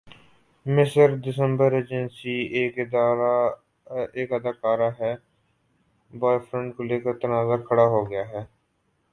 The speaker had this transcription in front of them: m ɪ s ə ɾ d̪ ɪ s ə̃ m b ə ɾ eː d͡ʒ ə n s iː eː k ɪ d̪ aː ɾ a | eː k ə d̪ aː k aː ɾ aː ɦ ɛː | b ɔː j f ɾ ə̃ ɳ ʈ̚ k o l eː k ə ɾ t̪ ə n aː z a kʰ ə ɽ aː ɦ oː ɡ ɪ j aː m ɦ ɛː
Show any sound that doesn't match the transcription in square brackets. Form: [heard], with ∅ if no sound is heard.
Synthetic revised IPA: m ɪ s ə ɾ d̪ ɪ s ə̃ m b ə ɾ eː d͡ʒ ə n s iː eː k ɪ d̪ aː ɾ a | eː k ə d̪ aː k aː ɾ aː ɦ ɛː | b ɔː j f ɾ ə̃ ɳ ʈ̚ k o l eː k ə ɾ t̪ ə n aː z a kʰ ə ɽ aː ɦ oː ɡ ɪ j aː [∅] ɦ ɛː